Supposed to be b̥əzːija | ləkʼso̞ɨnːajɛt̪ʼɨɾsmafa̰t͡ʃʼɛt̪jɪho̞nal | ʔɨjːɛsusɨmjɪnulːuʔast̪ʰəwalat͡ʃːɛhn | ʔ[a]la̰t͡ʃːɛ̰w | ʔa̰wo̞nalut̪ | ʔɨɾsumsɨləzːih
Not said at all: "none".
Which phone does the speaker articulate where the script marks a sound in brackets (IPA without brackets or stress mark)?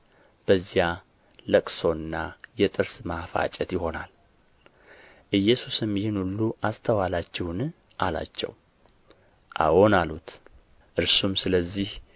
a